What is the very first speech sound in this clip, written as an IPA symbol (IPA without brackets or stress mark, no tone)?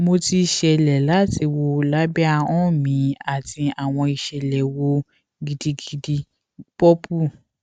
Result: m